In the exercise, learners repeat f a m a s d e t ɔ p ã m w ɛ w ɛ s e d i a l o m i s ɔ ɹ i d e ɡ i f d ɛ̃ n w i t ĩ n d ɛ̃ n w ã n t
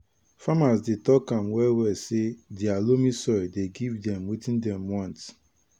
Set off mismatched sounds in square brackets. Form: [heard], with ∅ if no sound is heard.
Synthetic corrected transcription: f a m a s d e t ɔ [k] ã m w ɛ w ɛ s e d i a l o m i s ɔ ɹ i d e ɡ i [v] d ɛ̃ [m] w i t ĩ n d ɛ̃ [m] w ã n t